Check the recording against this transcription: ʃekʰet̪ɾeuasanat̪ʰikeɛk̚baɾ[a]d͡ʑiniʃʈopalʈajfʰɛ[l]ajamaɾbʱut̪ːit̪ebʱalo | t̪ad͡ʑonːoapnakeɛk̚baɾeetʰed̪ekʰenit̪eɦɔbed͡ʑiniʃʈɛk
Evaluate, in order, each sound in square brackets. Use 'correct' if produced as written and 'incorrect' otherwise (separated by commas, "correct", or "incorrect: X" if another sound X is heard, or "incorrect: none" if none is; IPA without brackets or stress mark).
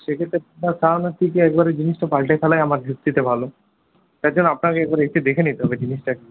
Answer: incorrect: e, correct